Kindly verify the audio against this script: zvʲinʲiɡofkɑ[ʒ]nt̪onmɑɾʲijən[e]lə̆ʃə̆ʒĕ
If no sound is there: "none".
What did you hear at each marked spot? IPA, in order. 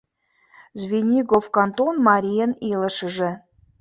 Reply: none, i

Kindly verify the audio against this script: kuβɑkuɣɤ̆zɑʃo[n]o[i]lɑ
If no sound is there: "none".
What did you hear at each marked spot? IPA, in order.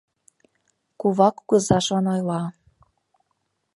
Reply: n, j

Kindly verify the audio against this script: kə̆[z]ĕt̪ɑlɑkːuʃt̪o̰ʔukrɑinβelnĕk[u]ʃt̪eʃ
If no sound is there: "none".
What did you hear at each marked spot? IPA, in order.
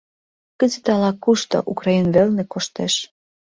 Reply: z, o

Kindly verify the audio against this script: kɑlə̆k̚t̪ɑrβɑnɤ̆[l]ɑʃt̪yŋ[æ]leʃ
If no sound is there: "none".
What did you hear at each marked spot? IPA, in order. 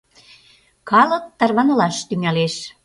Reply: l, æ

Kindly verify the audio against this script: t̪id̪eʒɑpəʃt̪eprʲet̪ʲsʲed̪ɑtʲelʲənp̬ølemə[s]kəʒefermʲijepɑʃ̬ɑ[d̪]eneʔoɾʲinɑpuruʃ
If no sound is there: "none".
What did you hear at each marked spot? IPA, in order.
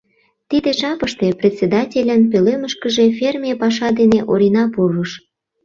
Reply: ʃ, d̪

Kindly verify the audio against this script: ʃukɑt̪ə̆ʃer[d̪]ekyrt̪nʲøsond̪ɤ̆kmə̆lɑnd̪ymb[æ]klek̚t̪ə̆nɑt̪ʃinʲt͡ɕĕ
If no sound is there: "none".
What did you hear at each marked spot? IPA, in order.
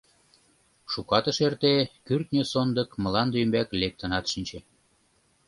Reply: t̪, æ

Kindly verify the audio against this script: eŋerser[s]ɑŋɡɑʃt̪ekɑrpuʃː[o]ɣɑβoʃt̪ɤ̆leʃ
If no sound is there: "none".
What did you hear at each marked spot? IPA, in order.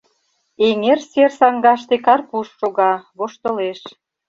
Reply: s, o

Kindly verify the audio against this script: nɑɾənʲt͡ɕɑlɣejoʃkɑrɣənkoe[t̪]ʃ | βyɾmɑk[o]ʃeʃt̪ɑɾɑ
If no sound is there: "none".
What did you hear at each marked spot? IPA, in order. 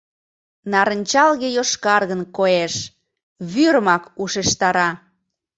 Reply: none, u

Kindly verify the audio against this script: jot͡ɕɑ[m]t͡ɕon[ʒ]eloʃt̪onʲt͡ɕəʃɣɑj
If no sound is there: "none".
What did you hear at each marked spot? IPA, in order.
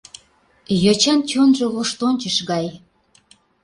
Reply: n, ʒ

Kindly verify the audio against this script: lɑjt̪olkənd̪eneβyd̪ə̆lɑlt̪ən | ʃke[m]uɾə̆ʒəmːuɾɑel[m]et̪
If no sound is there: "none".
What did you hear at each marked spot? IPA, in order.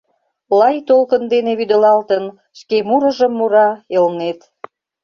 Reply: m, n

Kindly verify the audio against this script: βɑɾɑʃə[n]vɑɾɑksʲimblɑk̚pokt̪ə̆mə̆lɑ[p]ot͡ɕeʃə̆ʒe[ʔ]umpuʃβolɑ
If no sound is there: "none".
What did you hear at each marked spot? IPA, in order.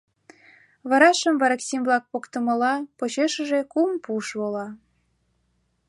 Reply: m, p, k

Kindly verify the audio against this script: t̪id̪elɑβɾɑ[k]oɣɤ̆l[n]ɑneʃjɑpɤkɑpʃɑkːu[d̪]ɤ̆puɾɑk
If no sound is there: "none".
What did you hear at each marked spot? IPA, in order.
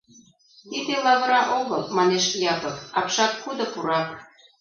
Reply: ʔ, m, d̪

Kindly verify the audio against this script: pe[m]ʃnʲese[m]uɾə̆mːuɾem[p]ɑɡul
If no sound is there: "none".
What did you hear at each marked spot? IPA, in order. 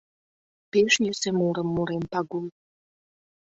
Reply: none, m, p

